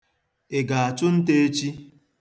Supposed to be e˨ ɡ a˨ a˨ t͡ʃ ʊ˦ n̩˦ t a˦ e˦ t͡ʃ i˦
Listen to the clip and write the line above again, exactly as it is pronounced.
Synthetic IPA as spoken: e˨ ɡ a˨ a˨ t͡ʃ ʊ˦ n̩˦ t e˦ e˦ t͡ʃ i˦